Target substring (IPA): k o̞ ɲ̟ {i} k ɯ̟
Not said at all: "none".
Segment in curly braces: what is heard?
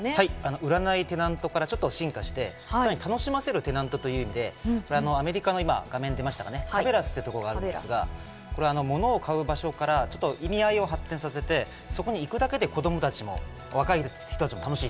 iː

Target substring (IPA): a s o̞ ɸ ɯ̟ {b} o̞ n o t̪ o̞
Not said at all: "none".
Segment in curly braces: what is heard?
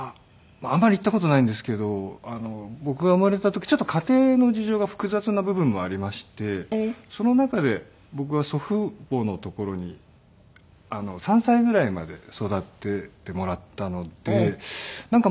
b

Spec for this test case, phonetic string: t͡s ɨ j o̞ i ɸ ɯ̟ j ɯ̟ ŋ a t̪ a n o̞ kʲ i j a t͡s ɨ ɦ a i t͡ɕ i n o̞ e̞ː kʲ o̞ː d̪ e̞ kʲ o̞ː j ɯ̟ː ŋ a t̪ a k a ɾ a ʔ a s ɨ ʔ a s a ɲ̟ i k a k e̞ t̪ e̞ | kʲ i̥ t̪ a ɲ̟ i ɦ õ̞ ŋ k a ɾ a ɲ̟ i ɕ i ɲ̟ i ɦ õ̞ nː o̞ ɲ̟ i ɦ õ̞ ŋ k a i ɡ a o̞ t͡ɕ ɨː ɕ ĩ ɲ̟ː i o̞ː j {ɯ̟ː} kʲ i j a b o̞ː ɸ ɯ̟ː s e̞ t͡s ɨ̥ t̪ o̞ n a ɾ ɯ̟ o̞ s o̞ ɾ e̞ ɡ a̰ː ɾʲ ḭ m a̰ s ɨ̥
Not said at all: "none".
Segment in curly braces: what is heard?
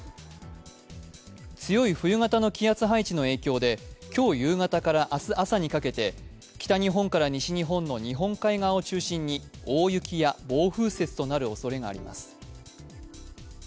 ɯ̟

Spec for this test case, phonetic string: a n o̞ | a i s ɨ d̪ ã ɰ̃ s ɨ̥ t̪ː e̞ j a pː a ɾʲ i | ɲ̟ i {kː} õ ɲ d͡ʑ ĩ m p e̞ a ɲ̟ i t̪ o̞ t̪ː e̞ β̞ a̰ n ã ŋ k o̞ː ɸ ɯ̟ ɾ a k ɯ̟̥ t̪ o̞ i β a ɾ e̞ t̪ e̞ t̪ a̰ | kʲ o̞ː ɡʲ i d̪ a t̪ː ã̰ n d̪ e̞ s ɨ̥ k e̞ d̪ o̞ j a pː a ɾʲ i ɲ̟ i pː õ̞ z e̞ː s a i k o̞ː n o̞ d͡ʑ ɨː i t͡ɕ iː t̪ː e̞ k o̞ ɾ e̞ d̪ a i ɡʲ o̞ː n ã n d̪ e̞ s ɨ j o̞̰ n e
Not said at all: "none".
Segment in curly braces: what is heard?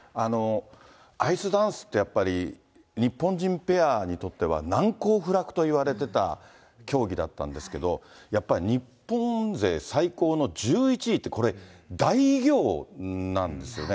pː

